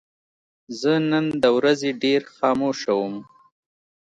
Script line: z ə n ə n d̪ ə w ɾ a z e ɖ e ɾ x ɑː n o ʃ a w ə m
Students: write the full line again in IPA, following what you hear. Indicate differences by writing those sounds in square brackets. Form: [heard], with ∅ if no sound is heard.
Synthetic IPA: z ə n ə n d̪ ə w ɾ a z e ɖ e ɾ x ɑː [m] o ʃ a w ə m

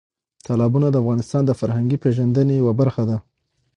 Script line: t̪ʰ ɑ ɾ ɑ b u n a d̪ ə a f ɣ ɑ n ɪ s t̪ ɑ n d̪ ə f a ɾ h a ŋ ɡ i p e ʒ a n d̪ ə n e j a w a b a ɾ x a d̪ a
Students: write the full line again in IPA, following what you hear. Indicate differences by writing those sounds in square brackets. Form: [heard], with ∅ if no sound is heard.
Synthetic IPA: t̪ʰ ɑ [l] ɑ b u n a d̪ ə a f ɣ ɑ n ɪ s t̪ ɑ n d̪ ə f a ɾ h a ŋ ɡ i p e ʒ a n d̪ ə n e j a w a b a ɾ x a d̪ a

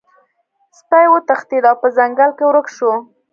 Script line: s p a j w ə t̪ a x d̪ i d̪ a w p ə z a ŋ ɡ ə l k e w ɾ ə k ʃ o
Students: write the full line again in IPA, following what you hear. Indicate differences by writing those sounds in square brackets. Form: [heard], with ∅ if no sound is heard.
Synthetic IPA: s p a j w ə t̪ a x [t̪] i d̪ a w p ə z a ŋ ɡ [a] l k e w ɾ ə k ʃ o

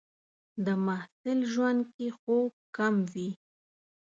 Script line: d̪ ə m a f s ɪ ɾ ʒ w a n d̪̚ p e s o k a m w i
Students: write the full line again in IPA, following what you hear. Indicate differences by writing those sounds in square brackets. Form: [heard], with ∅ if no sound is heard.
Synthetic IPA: d̪ ə m a [h] s ɪ [l] ʒ w a n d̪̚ [k] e [x] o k a m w i

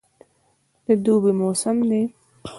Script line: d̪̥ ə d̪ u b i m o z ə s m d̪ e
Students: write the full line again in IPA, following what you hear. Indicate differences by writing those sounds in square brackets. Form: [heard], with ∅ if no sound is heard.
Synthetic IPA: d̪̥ ə d̪ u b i m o [s] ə [∅] m d̪ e

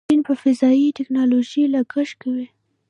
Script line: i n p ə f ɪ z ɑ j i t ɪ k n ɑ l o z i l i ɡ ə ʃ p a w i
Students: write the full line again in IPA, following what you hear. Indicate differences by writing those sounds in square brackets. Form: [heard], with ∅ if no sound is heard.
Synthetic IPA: i n p ə f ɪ z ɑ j i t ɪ k n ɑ l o [ʒ] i l [a] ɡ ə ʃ [k] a w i

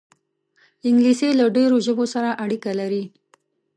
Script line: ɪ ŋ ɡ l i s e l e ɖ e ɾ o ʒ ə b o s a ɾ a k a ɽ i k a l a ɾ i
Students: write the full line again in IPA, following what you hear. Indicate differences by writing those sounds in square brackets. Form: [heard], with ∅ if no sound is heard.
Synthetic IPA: ɪ ŋ ɡ l i s e l [a] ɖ e ɾ o ʒ ə b o s a ɾ a [ʔ] a ɽ i k a l a ɾ i

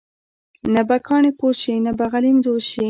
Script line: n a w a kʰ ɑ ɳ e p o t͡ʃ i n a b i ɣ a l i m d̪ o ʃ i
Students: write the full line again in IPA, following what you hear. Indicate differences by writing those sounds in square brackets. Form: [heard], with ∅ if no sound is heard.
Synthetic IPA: n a [b] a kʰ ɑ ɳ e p o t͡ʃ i n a b [a] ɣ a l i m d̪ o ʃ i

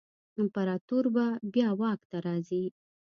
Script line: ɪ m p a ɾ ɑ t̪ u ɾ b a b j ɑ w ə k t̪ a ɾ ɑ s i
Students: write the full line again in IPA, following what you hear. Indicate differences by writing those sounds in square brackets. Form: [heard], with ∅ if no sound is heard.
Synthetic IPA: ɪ m p a ɾ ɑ t̪ u ɾ b a b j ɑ w [ɑ] k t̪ a ɾ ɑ [z] i

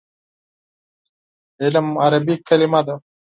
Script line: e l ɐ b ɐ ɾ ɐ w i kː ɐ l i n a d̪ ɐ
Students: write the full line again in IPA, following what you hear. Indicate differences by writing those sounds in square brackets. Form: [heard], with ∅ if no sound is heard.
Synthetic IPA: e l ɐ [m] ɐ ɾ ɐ [b] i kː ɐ l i [m] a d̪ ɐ

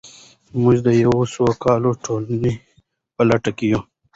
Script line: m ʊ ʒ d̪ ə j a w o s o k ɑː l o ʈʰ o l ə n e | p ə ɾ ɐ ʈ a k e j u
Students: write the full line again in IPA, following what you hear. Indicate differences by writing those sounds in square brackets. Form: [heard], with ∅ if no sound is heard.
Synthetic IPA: m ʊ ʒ d̪ ə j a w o s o k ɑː l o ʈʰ o l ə n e | p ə [l] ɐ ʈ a k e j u

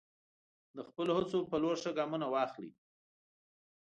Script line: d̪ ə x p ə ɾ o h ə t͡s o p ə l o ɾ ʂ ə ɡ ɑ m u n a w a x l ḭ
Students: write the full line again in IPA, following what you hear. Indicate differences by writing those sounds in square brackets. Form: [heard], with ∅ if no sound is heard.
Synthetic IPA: d̪ ə x p ə [l] o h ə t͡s o p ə l o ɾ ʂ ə ɡ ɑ m u n a w [ɑ] x l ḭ

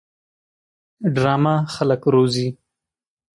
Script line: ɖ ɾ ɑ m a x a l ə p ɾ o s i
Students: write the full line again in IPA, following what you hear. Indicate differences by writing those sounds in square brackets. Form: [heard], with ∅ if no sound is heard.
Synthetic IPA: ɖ ɾ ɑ m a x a l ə [k] ɾ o [z] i

